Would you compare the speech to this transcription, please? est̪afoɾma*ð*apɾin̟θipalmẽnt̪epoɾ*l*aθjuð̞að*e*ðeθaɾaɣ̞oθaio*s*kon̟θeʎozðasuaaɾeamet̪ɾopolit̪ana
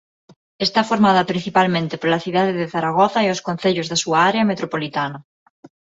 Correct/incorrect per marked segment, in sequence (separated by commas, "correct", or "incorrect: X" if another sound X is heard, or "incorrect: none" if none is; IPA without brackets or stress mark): correct, correct, correct, correct